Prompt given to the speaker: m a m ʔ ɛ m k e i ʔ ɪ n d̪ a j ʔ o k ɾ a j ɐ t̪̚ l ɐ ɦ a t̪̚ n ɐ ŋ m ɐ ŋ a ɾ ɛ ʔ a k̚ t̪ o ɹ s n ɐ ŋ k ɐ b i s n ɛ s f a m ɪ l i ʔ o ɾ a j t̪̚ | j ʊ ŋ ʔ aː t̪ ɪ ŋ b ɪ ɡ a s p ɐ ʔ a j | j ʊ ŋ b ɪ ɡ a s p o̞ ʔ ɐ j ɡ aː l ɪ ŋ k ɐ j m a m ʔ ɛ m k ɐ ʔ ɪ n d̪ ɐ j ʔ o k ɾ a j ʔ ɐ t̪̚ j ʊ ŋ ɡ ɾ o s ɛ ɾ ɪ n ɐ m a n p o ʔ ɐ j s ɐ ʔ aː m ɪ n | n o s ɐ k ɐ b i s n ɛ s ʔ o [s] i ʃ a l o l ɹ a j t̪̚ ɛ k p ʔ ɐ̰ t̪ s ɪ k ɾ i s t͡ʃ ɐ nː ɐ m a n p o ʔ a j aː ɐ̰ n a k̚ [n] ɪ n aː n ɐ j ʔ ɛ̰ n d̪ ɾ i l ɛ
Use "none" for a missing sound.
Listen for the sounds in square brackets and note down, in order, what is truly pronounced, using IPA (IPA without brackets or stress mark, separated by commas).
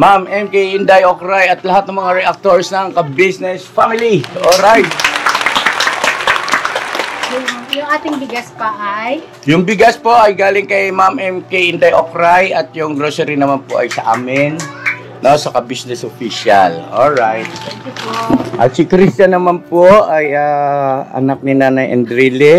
f, n